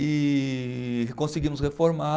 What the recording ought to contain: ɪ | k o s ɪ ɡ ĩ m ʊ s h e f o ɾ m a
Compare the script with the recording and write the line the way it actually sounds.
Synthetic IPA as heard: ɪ | k õ s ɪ ɡ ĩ m ʊ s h e f o ɾ m a